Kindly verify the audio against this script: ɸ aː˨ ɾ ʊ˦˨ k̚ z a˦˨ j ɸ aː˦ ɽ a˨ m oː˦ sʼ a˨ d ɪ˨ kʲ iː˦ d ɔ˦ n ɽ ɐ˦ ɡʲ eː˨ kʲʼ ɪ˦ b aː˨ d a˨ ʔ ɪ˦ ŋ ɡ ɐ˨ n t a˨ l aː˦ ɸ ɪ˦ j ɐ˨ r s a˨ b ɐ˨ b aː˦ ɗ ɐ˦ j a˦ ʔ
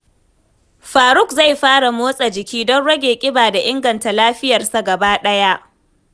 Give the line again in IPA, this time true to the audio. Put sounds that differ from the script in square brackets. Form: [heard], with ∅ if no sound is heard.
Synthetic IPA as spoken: ɸ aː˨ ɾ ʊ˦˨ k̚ z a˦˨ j ɸ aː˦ ɽ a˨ m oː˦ sʼ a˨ [d͡ʒ] ɪ˨ kʲ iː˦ d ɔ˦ n ɽ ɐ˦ ɡʲ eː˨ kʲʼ ɪ˦ b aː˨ d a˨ ʔ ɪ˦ ŋ ɡ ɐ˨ n t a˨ l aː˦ ɸ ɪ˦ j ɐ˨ r s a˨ [ɡ] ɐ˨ b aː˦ ɗ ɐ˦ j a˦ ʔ